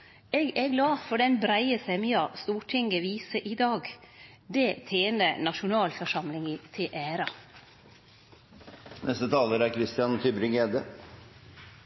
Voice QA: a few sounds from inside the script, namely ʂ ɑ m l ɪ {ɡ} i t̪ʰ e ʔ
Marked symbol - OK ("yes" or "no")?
no